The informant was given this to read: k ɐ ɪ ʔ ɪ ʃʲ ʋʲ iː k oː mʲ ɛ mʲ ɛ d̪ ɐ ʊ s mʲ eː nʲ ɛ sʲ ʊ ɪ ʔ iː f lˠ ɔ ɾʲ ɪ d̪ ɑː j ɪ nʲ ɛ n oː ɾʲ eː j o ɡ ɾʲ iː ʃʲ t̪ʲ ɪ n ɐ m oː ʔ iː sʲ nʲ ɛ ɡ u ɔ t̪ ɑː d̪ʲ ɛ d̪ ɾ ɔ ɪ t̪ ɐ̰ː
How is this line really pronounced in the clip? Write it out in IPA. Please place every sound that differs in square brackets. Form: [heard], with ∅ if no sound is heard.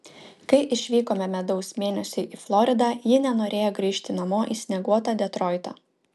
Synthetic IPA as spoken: k ɐ ɪ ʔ ɪ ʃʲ ʋʲ iː k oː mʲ ɛ mʲ ɛ d̪ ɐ ʊ s mʲ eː nʲ ɛ sʲ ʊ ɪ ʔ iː f lˠ ɔ ɾʲ ɪ d̪ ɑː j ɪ nʲ ɛ n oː ɾʲ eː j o ɡ ɾʲ iː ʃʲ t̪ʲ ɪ n ɐ m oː ʔ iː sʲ nʲ ɛ ɡ u ɔ t̪ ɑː d̪ʲ ɛ [t̪] ɾ ɔ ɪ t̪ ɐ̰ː

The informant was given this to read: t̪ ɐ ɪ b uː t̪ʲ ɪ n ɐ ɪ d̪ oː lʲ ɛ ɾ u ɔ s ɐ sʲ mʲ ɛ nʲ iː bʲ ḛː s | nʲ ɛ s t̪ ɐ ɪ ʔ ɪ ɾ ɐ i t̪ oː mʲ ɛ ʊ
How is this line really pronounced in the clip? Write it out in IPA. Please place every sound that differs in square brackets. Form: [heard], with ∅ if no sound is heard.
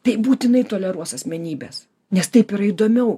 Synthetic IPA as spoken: t̪ ɐ ɪ b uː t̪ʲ ɪ n ɐ ɪ [t̪] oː lʲ ɛ ɾ u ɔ s ɐ sʲ mʲ ɛ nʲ iː bʲ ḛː s | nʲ ɛ s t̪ ɐ ɪ [p] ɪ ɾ ɐ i [d̪] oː mʲ ɛ ʊ

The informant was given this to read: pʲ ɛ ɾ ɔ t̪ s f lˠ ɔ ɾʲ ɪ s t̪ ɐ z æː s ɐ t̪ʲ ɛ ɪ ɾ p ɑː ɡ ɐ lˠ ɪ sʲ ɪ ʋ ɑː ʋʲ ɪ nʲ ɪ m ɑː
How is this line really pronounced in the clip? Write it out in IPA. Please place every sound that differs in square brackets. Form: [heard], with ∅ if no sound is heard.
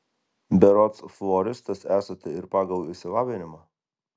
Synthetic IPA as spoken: [bʲ] ɛ ɾ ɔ t̪ s f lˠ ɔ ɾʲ ɪ s t̪ ɐ [s] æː s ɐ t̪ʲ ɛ ɪ ɾ p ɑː ɡ ɐ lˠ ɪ sʲ ɪ ʋ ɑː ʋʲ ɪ nʲ ɪ m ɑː

